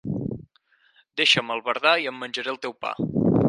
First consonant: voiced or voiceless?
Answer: voiced